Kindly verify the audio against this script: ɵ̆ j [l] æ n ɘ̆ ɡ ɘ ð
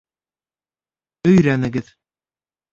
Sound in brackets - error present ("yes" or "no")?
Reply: yes